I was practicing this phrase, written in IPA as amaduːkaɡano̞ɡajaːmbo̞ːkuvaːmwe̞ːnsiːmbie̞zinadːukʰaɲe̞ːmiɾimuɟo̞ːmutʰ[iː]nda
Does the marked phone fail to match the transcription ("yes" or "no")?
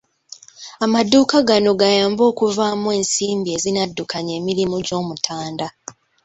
yes